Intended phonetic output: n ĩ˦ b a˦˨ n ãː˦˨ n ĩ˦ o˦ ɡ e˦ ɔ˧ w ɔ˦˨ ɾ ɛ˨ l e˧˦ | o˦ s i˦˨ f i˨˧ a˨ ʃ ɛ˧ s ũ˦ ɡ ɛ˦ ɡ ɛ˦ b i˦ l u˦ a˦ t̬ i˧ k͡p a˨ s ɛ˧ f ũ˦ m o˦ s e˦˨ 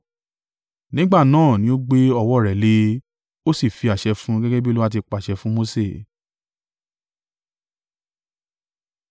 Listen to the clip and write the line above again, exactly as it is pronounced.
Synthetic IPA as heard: n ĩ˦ ɡ͡b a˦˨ n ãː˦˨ n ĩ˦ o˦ ɡ͡b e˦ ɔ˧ w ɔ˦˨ ɾ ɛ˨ l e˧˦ | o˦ s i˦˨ f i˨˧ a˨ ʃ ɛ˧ f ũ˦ ɡ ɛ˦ ɡ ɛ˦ b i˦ l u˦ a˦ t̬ i˧ k͡p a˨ ʃ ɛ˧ f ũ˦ m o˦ s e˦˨